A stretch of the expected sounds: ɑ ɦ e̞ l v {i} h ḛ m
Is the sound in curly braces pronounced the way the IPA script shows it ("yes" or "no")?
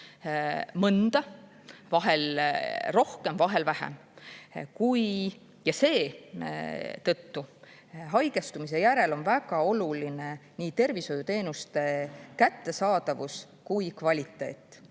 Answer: no